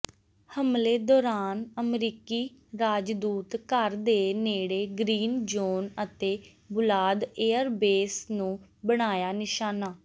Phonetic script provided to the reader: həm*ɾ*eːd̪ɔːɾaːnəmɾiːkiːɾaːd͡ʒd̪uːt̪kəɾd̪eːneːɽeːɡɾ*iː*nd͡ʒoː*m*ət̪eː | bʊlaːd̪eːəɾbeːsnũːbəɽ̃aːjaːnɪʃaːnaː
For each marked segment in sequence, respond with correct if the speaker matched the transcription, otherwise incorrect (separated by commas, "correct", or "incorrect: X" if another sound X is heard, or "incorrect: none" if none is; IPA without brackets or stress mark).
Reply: incorrect: l, correct, incorrect: n